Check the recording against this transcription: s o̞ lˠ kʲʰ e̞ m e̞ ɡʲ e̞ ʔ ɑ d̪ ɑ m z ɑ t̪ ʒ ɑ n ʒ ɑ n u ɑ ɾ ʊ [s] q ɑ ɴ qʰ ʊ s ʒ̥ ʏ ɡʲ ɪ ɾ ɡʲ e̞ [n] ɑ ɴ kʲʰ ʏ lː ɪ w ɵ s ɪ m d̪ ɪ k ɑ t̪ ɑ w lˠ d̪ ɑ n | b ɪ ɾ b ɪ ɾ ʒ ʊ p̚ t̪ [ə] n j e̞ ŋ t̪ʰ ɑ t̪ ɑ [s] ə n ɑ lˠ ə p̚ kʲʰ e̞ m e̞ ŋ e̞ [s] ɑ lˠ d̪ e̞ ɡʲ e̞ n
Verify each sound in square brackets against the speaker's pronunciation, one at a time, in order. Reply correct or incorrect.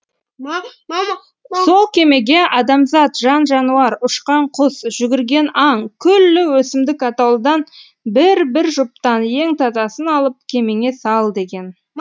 incorrect: ʃ, correct, incorrect: ɑ, correct, correct

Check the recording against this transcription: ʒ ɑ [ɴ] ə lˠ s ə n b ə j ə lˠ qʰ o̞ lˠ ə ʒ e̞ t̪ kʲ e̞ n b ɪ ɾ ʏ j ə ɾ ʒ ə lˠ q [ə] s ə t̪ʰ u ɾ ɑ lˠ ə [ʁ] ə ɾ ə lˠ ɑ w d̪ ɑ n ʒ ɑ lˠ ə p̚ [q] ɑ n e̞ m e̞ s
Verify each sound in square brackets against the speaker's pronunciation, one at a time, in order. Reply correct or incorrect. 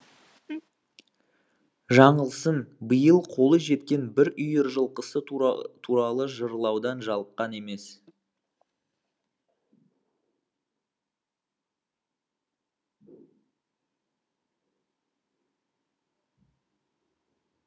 correct, correct, incorrect: ʒ, correct

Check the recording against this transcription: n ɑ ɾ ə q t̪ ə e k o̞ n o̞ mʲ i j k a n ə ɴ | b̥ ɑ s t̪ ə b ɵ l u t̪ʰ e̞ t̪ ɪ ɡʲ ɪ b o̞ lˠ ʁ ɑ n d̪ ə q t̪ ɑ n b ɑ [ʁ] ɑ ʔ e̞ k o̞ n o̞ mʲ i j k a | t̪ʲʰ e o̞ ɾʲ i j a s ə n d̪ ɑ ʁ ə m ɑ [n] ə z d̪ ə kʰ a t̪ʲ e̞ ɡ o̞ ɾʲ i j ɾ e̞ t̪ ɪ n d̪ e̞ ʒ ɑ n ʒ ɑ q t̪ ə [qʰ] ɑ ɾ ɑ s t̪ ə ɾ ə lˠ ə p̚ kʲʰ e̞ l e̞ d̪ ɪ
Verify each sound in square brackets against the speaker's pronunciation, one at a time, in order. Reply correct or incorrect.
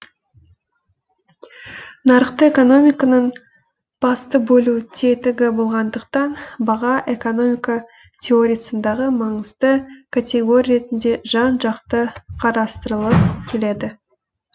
correct, incorrect: ɴ, correct

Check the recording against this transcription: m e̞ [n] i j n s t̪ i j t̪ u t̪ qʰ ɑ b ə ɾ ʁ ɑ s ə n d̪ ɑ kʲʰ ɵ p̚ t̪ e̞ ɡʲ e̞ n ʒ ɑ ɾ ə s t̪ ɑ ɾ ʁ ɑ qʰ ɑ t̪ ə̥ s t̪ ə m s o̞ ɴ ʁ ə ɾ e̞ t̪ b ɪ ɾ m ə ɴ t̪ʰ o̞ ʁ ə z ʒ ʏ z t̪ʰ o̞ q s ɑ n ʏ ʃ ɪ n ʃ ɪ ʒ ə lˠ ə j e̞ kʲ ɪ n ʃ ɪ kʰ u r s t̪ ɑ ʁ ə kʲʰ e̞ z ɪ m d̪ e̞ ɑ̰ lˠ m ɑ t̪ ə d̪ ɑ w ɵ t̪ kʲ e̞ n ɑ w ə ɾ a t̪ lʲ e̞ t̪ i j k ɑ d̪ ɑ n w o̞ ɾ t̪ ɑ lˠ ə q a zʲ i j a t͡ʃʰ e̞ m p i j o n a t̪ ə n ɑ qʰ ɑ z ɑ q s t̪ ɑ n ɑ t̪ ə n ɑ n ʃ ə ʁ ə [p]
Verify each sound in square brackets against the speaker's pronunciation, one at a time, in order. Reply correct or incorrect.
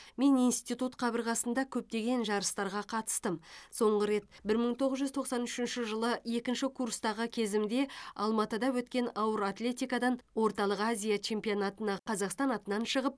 correct, correct

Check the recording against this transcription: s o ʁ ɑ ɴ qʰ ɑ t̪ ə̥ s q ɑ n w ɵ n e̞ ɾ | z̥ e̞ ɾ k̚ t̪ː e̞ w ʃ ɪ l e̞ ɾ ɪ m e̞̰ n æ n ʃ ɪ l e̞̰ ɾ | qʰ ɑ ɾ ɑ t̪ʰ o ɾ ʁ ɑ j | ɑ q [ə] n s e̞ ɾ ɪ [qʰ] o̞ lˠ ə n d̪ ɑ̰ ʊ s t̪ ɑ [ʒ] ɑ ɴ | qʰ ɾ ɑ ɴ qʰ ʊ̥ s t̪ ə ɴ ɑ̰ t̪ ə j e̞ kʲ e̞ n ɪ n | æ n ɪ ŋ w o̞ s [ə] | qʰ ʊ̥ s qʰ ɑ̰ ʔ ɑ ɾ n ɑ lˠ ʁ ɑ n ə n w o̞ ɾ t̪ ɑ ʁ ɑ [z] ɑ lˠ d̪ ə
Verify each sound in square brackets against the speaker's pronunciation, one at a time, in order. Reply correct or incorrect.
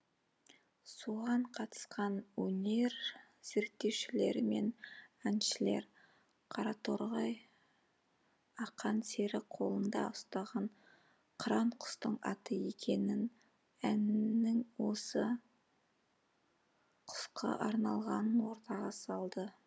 incorrect: ɑ, correct, incorrect: ʁ, correct, incorrect: s

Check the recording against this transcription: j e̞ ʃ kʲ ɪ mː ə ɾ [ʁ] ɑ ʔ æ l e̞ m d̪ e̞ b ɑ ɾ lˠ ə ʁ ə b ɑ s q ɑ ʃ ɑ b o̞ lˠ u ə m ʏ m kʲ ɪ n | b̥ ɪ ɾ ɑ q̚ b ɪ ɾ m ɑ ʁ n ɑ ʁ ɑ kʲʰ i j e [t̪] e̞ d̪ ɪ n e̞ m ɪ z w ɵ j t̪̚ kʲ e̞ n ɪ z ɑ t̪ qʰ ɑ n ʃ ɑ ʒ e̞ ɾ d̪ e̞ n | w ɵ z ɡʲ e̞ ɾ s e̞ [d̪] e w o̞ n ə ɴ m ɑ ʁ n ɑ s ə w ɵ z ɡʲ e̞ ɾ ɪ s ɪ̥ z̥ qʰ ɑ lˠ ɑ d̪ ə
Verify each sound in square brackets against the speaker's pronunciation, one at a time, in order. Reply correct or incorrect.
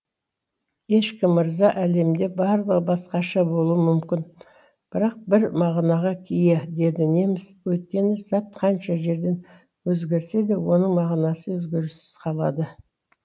incorrect: z, incorrect: d̪, correct

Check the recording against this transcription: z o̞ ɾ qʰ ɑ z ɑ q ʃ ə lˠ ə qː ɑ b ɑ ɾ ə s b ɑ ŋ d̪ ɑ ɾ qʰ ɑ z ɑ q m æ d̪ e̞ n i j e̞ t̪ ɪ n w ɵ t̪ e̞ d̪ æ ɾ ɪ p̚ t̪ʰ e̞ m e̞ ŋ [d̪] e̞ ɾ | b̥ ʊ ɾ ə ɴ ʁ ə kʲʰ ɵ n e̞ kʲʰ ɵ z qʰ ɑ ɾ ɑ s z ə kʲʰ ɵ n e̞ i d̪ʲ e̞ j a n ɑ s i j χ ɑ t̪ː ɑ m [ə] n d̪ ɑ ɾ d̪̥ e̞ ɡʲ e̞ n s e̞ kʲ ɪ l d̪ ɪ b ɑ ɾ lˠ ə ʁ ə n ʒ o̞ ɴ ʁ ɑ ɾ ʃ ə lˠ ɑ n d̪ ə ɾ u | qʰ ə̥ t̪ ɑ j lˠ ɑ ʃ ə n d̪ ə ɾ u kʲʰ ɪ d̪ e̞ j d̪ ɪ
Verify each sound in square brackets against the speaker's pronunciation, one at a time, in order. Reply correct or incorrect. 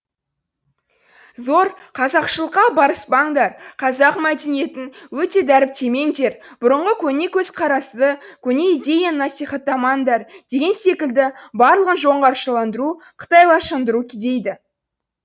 correct, incorrect: ɑ

